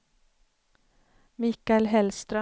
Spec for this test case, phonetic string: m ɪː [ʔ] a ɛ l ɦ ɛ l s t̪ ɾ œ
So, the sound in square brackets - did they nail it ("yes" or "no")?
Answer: no